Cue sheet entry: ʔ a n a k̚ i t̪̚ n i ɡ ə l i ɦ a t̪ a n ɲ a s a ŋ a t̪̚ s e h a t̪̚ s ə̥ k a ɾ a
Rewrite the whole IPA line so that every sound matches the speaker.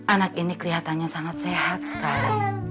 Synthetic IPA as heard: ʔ a n a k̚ i n i k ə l i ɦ a t̪ a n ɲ a s a ŋ a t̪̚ s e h a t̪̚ s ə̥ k a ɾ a